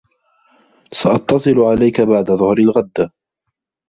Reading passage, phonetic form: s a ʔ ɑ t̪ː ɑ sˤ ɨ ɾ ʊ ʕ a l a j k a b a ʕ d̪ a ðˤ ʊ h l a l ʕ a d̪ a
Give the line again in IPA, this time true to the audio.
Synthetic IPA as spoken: s a ʔ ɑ t̪ː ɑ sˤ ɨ l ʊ ʕ a l a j k a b a ʕ d̪ a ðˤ ʊ h ɾ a l ɣ a d̪ː a